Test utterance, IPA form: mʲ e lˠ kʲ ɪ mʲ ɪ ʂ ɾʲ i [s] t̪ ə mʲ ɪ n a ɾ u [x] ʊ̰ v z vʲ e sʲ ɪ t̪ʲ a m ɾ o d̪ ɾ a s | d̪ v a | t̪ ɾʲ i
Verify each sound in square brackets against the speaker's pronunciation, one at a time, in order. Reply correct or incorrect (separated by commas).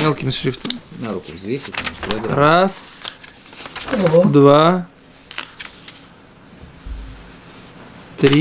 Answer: incorrect, incorrect